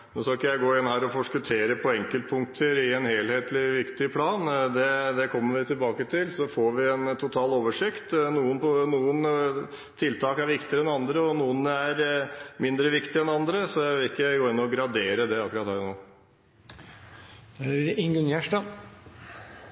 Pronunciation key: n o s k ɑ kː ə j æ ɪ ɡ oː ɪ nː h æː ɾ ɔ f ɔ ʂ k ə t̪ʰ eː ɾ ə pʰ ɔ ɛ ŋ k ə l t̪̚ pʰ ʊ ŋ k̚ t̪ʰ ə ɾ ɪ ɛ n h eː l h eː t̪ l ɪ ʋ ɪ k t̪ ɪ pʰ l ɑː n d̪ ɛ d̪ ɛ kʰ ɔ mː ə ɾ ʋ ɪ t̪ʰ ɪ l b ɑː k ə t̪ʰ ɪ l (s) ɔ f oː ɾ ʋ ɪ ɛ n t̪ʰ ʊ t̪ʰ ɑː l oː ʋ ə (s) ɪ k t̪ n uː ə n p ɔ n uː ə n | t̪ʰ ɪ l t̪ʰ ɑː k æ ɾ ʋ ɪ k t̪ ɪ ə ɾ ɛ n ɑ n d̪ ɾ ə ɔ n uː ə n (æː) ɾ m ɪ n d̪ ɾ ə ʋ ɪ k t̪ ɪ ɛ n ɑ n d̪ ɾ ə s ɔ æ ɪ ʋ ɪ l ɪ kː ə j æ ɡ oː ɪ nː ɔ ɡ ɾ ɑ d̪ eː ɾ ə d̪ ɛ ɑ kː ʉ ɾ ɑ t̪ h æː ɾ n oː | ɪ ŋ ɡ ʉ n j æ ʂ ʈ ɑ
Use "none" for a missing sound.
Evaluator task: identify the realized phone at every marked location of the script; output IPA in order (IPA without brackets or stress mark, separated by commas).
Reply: s, ʂ, æ